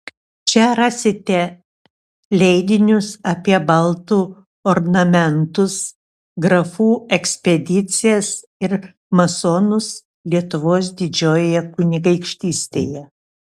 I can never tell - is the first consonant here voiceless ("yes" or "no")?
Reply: yes